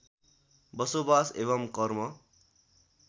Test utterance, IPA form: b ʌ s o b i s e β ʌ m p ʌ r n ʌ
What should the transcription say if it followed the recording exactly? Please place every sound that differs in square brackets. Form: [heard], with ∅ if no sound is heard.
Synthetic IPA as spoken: b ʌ s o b [a] s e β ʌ m [k] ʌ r [m] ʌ

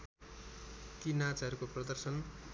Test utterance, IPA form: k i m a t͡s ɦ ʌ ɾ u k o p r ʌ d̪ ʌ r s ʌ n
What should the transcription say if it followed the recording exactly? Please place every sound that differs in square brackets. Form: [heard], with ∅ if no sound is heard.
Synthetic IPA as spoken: k i [n] a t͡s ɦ ʌ ɾ u k o p r ʌ d̪ ʌ r s ʌ n

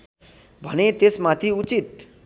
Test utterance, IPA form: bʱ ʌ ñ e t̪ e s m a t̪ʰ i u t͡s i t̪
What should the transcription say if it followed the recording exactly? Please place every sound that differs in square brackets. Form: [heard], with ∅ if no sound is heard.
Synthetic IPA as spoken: bʱ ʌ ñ e t̪ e s m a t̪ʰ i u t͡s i t̪

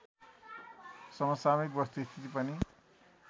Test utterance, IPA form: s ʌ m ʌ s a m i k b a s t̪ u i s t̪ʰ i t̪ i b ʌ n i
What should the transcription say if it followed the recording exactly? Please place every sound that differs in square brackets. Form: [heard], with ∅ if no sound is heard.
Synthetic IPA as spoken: s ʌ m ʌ s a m i k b [ʌ] s t̪ u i s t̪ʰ i t̪ i [p] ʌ n i

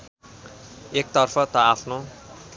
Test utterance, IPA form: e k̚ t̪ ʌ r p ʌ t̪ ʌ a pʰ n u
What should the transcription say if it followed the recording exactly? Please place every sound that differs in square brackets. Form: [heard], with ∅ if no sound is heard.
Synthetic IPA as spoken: e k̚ t̪ ʌ r [pʰ] ʌ t̪ ʌ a pʰ n [o]

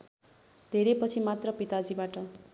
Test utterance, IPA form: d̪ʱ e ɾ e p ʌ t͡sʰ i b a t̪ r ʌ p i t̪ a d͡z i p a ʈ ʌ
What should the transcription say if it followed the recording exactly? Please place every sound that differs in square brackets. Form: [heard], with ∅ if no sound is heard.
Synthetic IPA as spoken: d̪ʱ e ɾ e p ʌ t͡sʰ i [m] a t̪ r ʌ p i t̪ a d͡z i [b] a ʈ ʌ

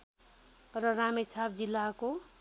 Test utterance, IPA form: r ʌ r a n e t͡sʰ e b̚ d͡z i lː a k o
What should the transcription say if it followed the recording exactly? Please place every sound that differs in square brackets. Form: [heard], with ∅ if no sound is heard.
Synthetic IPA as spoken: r ʌ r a [m] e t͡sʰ [a] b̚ d͡z i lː a k o

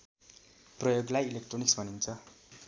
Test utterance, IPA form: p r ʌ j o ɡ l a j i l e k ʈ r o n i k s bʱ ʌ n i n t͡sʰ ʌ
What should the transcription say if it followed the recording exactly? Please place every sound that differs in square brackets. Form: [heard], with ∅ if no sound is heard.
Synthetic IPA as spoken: p r ʌ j o ɡ l a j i l e k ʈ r o n i k s bʱ ʌ n i n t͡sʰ ʌ

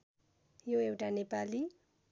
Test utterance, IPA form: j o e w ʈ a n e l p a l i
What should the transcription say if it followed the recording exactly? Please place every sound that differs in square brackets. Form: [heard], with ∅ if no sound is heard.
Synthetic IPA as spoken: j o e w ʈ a n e [∅] p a l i

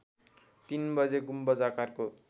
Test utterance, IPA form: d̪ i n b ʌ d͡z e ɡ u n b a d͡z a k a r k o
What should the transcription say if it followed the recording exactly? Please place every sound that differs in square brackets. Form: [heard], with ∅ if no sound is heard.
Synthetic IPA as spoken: [t̪] i n b ʌ d͡z e ɡ u [m] b [ʌ] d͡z a k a r k o

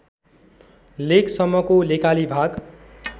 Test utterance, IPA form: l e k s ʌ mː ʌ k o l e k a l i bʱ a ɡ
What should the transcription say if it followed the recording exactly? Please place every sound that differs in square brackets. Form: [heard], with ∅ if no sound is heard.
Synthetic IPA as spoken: l e k s ʌ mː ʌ k o l e k a l i bʱ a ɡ

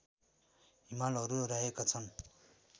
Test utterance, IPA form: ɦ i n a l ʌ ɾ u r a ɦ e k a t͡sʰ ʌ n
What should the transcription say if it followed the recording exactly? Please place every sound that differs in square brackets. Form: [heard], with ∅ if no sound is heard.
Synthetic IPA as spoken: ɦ i [m] a l ʌ ɾ u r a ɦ e k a t͡sʰ ʌ n

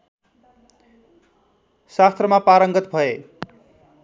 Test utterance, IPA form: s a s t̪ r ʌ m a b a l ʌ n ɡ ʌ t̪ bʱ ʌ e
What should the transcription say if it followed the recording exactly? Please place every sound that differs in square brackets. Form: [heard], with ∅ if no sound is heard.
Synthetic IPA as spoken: s a s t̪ r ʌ m a [p] a [ɾ] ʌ [ŋ] ɡ ʌ t̪ bʱ ʌ e

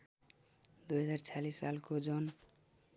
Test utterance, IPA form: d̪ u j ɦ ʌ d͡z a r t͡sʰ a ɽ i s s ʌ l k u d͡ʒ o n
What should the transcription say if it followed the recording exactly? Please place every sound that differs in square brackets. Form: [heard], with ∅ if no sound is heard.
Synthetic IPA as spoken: d̪ u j ɦ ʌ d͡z a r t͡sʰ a [l] i s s [a] l k [o] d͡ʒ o n

